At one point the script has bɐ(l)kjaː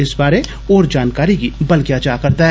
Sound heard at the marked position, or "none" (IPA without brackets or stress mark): l